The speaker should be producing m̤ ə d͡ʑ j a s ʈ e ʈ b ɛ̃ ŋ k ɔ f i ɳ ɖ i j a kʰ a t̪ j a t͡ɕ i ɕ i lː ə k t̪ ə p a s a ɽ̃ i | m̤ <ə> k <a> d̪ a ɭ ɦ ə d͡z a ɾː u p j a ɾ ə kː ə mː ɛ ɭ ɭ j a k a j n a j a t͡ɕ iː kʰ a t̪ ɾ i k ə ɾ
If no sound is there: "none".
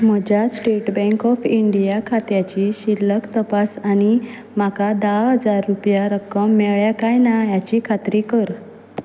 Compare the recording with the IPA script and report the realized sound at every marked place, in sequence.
a, a

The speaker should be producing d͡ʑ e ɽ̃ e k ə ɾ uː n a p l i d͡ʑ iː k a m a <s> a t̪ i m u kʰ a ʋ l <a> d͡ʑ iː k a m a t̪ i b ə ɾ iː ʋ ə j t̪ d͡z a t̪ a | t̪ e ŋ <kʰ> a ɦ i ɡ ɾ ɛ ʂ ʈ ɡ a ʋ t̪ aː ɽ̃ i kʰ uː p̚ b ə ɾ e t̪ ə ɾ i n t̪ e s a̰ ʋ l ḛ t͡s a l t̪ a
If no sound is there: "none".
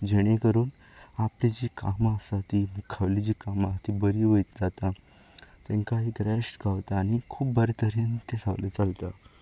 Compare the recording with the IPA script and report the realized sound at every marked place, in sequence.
s, i, k

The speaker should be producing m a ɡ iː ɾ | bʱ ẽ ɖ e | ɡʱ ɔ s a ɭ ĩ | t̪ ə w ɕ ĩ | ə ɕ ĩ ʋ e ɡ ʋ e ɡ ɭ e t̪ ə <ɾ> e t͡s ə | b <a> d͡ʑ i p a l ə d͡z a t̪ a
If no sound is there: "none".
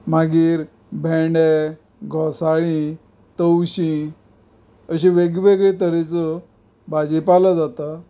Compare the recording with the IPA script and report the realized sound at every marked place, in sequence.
ɾ, a

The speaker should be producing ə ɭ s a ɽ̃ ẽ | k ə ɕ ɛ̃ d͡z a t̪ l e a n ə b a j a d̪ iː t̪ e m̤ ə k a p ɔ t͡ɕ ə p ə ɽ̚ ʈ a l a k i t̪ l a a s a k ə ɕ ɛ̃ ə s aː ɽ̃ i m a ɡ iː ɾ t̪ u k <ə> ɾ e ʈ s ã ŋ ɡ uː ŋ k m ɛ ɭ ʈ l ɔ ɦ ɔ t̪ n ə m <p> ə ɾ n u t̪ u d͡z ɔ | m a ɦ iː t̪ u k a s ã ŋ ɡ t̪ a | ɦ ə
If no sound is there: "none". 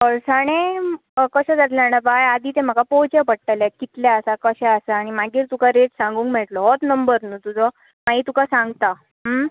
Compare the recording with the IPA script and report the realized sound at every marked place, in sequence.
a, b

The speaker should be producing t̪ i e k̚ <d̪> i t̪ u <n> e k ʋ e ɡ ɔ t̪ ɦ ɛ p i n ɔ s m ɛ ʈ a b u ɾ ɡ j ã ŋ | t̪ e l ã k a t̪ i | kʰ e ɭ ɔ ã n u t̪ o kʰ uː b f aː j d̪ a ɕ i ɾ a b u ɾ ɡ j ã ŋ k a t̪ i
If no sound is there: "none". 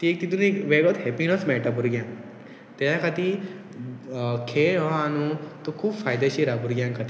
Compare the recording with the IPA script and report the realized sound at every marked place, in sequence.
t̪, n

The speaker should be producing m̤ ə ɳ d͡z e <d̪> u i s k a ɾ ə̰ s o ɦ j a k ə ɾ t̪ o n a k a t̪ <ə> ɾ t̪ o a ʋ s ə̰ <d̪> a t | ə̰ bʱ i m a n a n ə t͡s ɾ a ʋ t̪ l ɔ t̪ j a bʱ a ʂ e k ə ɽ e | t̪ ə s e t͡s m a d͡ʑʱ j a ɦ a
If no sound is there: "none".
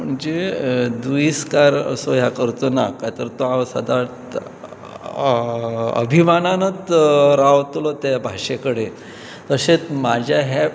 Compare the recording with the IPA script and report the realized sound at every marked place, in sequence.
d̪, ə, d̪

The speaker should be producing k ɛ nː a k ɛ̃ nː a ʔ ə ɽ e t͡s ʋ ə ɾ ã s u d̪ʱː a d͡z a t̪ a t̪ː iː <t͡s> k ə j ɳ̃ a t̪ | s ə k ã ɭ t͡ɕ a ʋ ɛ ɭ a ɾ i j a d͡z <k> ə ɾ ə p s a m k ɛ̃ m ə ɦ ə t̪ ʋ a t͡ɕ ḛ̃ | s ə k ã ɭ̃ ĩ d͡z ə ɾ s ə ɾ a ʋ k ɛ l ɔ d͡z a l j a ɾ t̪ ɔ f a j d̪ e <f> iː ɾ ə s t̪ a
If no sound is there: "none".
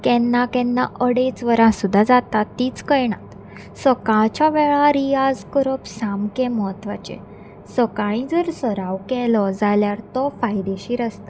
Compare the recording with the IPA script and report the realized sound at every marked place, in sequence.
t͡s, k, ɕ

